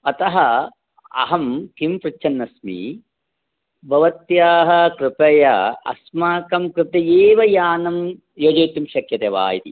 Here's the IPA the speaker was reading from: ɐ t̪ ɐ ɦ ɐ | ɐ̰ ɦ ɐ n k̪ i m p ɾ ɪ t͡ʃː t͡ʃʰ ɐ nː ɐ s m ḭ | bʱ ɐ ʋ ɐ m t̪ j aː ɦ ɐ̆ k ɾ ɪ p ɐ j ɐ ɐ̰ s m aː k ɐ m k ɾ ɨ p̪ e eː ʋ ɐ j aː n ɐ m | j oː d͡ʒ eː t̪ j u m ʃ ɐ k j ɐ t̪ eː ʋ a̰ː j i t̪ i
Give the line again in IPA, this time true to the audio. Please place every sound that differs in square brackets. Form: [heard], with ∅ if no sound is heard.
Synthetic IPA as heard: ɐ t̪ ɐ ɦ ɐ | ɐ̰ ɦ ɐ [m] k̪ i m p ɾ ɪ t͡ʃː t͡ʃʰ ɐ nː ɐ s m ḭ | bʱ ɐ ʋ ɐ [∅] t̪ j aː ɦ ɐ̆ k ɾ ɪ p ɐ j ɐ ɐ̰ s m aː k ɐ m k ɾ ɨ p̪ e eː ʋ ɐ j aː n ɐ m | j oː d͡ʒ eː t̪ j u m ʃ ɐ k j ɐ t̪ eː ʋ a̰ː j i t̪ i

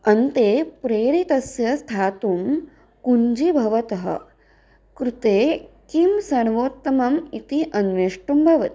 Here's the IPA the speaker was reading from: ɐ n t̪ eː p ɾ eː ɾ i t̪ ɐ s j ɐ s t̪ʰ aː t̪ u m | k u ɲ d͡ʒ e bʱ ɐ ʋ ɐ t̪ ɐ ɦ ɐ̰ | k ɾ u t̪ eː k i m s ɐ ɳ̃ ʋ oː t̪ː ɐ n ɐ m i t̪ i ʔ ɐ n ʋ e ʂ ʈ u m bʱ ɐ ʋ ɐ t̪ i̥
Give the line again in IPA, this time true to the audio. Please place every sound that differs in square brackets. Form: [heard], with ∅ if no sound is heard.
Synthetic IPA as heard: ɐ n t̪ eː p ɾ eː ɾ i t̪ ɐ s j ɐ s t̪ʰ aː t̪ u m | k u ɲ d͡ʒ [i] bʱ ɐ ʋ ɐ t̪ ɐ ɦ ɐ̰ | k ɾ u t̪ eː k i m s ɐ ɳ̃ ʋ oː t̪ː ɐ [m] ɐ m i t̪ i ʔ ɐ n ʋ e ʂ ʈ u m bʱ ɐ ʋ ɐ t̪ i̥

